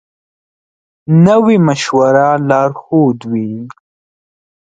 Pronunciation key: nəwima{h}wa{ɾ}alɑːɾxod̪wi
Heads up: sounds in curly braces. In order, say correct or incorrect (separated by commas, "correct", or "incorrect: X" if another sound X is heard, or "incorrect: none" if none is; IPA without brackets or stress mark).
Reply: incorrect: ʃ, correct